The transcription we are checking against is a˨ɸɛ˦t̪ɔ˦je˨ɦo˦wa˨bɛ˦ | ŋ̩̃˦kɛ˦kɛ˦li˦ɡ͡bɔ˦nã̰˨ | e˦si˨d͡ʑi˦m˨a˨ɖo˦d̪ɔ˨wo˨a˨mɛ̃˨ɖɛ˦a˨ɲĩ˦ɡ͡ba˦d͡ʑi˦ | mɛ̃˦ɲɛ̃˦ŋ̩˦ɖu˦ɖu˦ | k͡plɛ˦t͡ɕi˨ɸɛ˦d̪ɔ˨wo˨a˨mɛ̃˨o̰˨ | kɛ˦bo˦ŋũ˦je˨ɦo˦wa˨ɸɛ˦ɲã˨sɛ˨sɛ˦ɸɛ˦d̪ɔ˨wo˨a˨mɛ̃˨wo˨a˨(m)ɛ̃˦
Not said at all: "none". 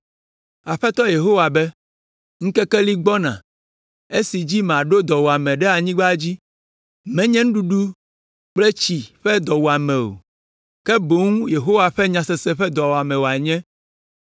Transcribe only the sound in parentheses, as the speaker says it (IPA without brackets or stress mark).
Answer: ɲ